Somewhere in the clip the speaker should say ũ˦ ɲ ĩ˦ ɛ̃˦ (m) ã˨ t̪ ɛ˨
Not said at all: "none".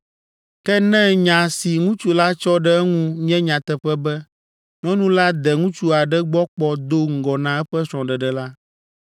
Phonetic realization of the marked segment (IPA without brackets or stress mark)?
ɲ